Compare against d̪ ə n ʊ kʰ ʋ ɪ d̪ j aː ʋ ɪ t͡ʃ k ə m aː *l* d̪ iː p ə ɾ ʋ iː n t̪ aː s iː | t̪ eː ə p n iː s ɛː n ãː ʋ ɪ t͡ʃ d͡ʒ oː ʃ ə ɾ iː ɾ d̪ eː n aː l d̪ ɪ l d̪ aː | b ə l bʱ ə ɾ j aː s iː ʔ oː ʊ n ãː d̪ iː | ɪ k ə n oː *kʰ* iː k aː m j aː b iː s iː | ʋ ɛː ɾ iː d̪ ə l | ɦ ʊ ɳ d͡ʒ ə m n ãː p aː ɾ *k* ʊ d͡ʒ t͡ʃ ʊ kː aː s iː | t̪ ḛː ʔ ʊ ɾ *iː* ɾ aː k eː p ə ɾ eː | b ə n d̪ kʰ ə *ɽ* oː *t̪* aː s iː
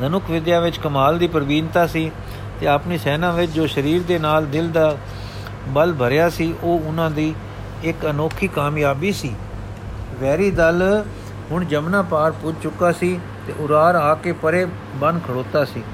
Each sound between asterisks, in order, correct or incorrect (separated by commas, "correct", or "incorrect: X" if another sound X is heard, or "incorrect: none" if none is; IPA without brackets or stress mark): correct, correct, incorrect: p, incorrect: aː, correct, correct